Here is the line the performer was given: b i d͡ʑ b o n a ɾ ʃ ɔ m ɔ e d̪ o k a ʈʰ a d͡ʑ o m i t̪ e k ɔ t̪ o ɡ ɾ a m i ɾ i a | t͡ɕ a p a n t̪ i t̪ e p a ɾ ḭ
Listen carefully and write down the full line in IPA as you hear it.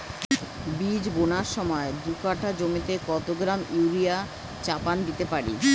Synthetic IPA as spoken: b i d͡ʑ b o n a ɾ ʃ ɔ m ɔ e d̪ u k a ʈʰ a d͡ʑ o m i t̪ e k ɔ t̪ o ɡ ɾ a m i ɾ i a | t͡ɕ a p a n d̪ i t̪ e p a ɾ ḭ